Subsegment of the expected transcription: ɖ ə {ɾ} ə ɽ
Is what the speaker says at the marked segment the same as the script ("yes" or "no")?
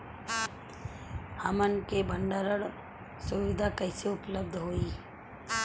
yes